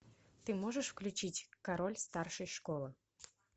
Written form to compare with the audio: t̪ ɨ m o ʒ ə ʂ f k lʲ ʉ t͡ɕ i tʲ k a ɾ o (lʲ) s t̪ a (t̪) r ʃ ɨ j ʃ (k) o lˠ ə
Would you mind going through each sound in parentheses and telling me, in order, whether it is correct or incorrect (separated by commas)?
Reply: correct, incorrect, correct